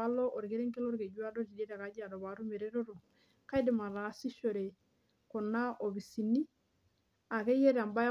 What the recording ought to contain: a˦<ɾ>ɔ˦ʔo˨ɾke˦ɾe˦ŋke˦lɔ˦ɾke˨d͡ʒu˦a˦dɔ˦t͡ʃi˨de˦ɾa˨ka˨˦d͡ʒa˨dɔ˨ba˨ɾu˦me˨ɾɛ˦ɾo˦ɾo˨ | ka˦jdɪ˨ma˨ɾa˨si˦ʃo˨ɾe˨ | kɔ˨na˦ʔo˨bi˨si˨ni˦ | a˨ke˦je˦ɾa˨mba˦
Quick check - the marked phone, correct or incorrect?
incorrect